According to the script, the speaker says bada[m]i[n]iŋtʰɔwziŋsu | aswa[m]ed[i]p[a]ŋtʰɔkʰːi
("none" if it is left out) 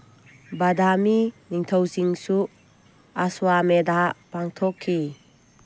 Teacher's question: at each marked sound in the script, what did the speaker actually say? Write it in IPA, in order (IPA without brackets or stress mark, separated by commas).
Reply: m, n, m, a, a